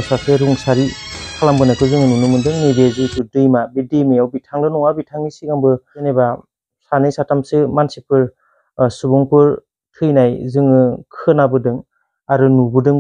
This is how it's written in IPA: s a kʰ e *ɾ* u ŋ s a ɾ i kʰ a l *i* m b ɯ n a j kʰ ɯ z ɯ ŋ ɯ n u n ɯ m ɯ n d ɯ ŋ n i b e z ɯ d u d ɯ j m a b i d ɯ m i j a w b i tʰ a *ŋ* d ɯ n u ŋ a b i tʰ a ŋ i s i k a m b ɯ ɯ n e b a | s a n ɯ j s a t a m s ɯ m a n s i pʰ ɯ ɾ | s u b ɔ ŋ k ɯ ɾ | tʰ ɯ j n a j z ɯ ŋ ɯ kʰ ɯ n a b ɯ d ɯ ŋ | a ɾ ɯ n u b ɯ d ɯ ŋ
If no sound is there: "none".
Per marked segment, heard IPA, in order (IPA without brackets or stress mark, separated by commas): ɾ, a, ŋ